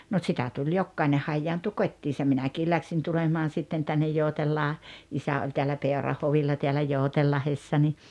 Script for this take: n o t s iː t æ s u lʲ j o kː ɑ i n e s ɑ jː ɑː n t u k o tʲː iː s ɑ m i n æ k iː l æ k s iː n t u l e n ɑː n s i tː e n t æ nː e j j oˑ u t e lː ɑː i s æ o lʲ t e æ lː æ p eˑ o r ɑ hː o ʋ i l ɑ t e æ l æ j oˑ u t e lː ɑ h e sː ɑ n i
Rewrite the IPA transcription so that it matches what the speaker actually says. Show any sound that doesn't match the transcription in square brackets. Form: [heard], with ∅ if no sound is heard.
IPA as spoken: n o t s [i] t æ [t] u lʲ j o kː ɑ i n e [h] ɑ jː ɑː n t u k o tʲː iː s ɑ m i n æ k iː l æ k s iː n t u l e [m] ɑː n s i tː e n t æ nː e j j oˑ u t e lː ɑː i s æ o lʲ t e æ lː æ p eˑ o r ɑ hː o ʋ i [lː] ɑ t e æ l æ j oˑ u t e lː ɑ h e sː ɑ n i